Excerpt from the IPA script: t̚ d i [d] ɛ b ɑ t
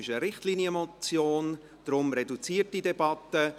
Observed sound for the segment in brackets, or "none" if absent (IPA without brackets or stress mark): d